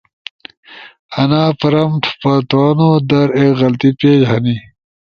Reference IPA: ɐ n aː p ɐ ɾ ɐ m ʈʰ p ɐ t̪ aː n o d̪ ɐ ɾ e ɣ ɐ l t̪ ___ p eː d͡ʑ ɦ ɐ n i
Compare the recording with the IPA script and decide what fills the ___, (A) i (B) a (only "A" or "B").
A